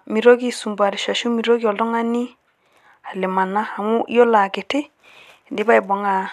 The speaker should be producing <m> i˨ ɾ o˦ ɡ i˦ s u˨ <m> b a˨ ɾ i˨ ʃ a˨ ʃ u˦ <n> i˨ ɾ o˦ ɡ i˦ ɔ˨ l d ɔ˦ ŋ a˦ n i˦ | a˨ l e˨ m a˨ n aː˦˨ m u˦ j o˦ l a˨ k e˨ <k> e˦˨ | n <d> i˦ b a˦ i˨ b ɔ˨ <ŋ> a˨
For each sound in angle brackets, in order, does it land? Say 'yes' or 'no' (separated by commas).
yes, yes, no, no, yes, yes